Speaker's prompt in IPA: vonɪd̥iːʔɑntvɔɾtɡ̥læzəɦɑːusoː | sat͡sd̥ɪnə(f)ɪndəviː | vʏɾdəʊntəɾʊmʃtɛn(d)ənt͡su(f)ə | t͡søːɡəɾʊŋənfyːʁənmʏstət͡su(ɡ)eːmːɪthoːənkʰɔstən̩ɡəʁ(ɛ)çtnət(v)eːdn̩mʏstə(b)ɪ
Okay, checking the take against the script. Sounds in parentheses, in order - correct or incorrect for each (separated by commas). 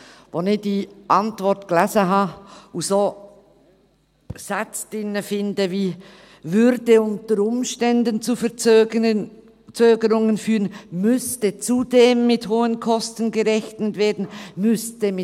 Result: correct, correct, correct, incorrect, correct, correct, incorrect